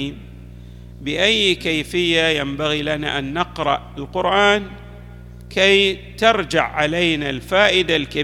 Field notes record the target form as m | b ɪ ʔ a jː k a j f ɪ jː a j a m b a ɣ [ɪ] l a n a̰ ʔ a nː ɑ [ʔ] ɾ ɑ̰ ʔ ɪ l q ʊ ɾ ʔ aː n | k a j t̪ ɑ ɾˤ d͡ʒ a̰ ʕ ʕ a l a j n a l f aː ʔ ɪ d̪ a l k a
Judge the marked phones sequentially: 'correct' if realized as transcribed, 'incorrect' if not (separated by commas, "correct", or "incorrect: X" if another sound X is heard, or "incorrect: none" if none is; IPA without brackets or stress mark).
incorrect: i, incorrect: q